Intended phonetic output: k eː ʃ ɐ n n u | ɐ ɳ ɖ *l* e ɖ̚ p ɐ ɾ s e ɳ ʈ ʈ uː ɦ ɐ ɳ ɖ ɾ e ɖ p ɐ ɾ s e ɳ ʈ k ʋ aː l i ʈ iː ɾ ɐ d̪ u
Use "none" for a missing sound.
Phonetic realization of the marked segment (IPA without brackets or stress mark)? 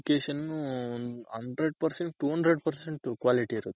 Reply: ɾ